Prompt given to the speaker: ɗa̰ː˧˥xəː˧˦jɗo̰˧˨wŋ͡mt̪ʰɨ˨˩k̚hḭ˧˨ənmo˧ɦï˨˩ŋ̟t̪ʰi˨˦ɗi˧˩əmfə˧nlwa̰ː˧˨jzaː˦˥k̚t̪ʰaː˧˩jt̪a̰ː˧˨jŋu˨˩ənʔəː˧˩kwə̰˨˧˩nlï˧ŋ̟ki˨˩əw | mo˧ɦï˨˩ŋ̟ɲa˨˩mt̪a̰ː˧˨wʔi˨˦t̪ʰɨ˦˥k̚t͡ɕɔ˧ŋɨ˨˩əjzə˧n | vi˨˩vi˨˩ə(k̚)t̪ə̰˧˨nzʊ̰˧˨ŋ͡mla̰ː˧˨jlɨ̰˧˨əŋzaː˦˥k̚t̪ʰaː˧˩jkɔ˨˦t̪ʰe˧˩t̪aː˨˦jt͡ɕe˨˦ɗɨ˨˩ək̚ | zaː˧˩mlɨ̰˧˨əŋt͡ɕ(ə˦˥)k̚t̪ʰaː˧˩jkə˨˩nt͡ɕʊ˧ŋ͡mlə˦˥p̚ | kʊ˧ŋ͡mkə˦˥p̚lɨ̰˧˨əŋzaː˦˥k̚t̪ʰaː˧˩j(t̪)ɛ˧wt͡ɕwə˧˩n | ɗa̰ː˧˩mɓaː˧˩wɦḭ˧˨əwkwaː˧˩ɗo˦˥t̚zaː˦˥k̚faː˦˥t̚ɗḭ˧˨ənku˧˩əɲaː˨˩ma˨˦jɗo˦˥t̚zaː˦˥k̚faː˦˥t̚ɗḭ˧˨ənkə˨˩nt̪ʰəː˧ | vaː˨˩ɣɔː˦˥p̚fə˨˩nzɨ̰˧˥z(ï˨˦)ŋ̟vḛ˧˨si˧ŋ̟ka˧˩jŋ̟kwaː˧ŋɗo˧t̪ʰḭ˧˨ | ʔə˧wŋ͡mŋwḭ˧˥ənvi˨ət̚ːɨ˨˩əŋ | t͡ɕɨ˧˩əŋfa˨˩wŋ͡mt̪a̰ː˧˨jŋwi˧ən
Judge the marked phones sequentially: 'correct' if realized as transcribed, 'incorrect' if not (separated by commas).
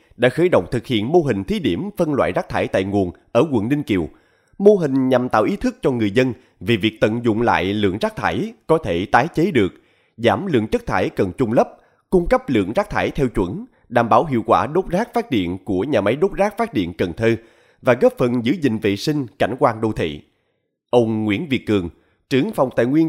correct, correct, incorrect, incorrect